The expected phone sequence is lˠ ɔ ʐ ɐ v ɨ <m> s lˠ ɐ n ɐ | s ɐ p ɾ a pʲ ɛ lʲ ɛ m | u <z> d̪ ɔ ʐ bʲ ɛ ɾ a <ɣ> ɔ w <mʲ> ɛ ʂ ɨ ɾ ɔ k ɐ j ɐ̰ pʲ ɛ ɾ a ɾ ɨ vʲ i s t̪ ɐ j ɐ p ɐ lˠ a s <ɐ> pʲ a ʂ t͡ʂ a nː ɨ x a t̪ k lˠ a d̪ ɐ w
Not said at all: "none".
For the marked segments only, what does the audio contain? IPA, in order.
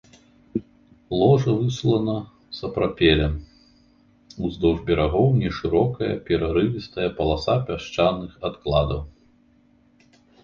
none, z, ɣ, nʲ, a

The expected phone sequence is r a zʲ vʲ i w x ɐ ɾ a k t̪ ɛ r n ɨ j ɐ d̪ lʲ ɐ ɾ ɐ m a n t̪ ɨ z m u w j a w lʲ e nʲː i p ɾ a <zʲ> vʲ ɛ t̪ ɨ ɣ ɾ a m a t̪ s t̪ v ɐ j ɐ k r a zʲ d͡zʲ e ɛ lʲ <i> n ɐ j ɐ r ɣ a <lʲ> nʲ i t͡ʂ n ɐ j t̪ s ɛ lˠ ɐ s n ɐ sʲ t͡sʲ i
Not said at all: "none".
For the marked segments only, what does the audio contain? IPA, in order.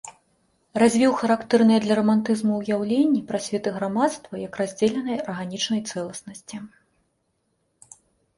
sʲ, ɛ, none

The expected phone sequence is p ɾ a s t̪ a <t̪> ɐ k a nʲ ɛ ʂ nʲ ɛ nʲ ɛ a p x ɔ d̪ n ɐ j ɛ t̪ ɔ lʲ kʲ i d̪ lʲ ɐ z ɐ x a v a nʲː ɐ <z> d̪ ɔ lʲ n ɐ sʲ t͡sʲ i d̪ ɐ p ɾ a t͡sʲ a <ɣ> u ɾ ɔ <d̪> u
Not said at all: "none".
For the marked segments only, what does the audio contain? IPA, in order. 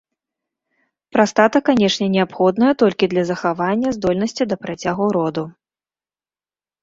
t̪, z, ɣ, d̪

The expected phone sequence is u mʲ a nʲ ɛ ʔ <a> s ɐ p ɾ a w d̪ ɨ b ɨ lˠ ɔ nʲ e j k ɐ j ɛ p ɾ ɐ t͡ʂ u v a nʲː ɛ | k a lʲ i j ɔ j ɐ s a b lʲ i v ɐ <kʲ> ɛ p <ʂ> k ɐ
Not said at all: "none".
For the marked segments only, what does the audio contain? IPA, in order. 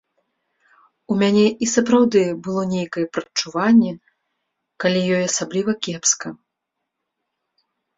i, kʲ, s

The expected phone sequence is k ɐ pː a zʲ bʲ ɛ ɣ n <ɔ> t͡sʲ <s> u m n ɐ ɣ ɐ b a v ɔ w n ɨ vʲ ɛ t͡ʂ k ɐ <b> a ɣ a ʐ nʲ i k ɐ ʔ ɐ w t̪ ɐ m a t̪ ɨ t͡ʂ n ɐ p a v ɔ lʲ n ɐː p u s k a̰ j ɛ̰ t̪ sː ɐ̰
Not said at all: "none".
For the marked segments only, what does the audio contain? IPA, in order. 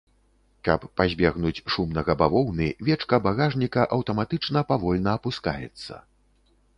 u, ʂ, b

